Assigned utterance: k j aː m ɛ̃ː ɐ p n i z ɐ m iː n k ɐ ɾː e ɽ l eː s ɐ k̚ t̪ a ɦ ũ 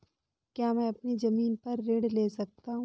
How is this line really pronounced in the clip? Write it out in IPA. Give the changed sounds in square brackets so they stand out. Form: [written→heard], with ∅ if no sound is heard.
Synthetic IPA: k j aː m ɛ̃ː ɐ p n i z ɐ m iː n [k→p] ɐ ɾː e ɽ l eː s ɐ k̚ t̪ a ɦ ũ